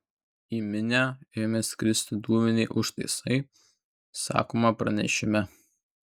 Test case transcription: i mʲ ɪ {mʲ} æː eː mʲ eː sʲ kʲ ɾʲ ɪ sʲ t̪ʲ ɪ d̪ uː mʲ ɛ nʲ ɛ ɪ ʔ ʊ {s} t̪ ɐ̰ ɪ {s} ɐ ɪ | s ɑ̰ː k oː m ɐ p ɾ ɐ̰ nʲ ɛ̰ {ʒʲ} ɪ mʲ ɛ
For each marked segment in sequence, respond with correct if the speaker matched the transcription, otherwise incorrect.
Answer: incorrect, incorrect, correct, incorrect

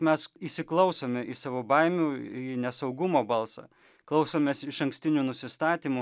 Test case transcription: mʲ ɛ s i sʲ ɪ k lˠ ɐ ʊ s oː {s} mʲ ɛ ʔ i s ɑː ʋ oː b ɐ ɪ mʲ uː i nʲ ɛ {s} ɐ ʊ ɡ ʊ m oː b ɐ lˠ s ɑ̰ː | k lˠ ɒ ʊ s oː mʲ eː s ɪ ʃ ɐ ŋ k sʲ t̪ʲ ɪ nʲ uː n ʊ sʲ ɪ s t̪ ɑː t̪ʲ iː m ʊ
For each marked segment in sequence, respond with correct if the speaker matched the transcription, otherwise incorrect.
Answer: incorrect, correct

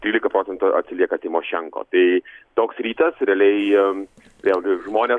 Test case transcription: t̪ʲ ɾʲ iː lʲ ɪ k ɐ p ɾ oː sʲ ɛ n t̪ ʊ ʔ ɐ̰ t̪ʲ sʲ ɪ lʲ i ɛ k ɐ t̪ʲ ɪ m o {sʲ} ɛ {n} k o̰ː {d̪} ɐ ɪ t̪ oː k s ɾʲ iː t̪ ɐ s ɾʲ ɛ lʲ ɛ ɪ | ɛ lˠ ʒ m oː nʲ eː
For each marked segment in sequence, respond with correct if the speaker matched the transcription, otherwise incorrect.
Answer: incorrect, incorrect, incorrect

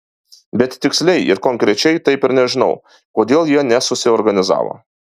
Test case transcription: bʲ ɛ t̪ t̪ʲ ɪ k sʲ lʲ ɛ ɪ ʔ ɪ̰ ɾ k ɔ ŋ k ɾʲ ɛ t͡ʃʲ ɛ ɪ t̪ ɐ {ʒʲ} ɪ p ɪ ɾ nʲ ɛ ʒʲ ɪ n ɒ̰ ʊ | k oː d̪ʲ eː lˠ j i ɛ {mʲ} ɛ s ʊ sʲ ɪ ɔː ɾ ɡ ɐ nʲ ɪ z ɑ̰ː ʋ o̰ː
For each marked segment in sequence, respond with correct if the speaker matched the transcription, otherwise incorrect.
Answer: incorrect, incorrect

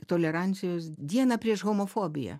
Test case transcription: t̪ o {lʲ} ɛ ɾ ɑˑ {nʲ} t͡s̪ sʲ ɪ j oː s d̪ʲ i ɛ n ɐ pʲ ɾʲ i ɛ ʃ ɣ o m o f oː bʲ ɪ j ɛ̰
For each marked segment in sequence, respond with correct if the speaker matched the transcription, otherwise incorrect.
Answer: correct, correct

